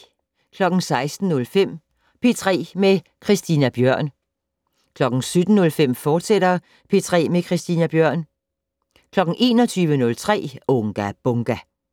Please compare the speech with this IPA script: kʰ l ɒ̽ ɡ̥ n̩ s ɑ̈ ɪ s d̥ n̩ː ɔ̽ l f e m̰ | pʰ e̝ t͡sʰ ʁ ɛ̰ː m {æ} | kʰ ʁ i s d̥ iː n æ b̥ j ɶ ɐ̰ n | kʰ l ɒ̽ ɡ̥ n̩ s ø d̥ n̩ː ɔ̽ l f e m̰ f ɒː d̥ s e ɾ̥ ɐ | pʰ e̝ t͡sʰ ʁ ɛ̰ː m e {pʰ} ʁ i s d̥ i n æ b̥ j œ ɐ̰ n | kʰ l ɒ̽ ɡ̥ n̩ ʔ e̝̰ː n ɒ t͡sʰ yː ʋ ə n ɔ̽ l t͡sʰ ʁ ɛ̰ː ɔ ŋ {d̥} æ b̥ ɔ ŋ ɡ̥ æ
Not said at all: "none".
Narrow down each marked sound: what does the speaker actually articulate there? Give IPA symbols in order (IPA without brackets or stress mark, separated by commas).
e, kʰ, ɡ̥